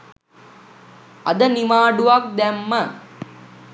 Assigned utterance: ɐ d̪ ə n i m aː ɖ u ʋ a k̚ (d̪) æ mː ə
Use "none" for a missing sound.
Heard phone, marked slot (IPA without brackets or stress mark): d̪